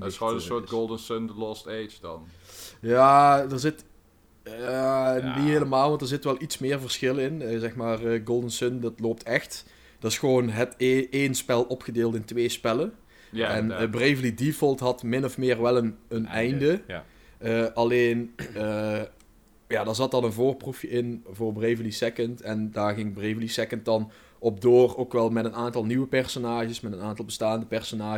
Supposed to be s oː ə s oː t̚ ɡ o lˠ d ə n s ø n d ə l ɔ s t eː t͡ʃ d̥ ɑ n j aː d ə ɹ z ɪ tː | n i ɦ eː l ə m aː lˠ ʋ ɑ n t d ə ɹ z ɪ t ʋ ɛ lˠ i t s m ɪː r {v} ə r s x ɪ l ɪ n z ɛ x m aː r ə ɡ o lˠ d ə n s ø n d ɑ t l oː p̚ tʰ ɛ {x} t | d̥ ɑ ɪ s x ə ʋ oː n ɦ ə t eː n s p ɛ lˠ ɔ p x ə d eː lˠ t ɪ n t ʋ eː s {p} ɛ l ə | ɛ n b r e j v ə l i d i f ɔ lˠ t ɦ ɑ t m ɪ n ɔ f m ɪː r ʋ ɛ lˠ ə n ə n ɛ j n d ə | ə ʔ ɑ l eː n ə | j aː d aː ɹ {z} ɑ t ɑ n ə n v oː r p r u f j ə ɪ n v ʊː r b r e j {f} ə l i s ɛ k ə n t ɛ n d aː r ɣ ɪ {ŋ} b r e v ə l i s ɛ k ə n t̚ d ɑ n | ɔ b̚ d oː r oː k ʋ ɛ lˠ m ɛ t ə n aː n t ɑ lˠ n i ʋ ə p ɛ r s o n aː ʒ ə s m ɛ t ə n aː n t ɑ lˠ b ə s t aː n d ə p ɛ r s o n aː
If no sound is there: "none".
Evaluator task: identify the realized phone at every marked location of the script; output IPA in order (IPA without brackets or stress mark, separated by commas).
v, x, p, z, v, ŋ